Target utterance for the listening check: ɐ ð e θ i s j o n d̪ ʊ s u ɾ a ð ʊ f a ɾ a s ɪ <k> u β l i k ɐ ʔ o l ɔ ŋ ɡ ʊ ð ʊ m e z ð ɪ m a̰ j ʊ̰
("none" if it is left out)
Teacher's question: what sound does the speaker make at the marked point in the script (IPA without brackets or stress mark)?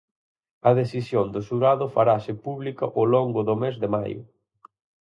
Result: p